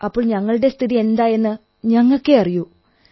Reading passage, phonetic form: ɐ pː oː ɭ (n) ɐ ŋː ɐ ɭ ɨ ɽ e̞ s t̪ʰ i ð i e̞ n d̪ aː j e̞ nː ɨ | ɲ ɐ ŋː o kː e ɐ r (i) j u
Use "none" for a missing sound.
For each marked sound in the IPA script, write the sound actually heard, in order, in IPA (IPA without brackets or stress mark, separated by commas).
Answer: ɲ, i